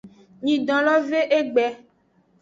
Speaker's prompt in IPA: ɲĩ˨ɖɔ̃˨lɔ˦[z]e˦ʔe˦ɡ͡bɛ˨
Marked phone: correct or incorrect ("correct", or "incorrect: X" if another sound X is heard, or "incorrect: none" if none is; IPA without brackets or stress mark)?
incorrect: v